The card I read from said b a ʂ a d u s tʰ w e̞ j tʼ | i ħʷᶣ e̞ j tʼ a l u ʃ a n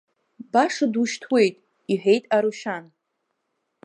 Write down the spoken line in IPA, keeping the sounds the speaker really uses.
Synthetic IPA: b a ʂ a d u ʃ tʰ w e̞ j tʼ | i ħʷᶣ e̞ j tʼ a ɾ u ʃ a n